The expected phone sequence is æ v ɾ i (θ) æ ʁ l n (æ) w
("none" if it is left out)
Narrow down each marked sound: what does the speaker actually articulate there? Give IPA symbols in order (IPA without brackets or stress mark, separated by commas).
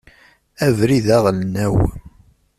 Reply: ð, æ